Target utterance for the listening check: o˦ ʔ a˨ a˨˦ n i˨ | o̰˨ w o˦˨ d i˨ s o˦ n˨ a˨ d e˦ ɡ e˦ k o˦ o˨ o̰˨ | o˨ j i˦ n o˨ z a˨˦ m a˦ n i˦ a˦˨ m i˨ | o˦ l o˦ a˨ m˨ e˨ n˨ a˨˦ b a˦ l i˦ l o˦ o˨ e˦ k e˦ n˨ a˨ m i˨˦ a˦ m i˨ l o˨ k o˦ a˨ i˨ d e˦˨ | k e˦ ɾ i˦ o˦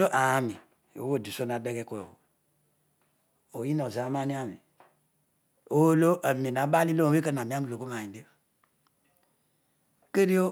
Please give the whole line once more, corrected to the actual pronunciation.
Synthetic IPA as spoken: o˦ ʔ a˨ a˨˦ m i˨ | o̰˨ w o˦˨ d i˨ s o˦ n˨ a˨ d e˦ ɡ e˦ k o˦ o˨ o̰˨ | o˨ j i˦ n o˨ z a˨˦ m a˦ n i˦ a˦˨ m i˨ | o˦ l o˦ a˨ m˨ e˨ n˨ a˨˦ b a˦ l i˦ l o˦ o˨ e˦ k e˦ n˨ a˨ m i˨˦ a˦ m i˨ l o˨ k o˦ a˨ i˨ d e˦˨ | k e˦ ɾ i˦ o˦